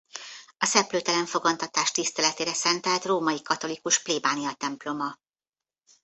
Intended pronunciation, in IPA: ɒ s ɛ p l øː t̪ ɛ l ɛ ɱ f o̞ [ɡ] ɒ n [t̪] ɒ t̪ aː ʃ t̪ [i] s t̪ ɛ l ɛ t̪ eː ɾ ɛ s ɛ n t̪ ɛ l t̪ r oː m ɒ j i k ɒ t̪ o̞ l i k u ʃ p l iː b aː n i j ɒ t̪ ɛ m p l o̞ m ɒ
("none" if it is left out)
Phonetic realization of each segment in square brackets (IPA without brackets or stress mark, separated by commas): ɡ, t̪, i